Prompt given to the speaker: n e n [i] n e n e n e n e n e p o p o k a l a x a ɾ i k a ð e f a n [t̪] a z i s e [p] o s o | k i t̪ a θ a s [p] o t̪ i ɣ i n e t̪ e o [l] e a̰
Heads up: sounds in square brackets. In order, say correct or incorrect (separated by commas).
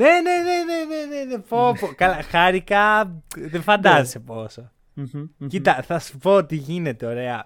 incorrect, incorrect, correct, correct, incorrect